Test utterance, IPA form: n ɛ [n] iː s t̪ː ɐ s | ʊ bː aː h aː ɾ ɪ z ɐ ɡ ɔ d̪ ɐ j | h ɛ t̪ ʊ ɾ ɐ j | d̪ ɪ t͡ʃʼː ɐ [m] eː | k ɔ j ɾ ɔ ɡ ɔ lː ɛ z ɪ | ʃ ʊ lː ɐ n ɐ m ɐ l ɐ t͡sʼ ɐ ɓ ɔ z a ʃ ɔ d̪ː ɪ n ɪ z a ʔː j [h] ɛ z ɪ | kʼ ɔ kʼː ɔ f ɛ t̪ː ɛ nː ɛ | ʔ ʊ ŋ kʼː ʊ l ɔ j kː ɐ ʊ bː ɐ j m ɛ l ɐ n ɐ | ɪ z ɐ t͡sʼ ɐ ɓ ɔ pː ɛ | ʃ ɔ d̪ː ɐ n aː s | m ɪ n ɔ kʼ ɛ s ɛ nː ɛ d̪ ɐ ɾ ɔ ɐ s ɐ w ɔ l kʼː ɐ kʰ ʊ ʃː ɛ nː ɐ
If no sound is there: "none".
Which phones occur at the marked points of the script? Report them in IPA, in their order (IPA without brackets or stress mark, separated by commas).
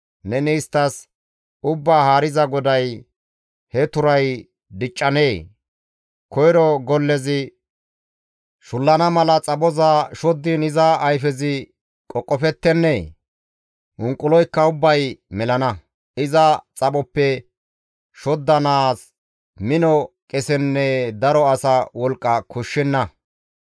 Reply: n, n, f